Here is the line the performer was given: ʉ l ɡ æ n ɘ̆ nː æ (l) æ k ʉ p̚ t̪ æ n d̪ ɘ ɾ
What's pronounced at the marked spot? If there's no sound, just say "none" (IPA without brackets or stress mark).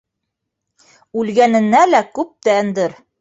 l